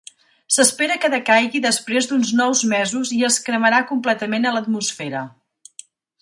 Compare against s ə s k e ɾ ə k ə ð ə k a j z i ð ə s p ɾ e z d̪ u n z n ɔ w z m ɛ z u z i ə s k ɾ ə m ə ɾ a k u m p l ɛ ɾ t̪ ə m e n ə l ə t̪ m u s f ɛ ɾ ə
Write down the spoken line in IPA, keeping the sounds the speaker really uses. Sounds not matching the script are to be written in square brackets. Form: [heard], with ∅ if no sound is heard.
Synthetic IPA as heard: s ə s [p] e ɾ ə k ə ð ə k a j [ɣ] i ð ə s p ɾ e z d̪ u n z n ɔ w z m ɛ z u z i ə s k ɾ ə m ə ɾ a k u m p l ɛ [∅] t̪ ə m e n ə l ə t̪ m u s f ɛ ɾ ə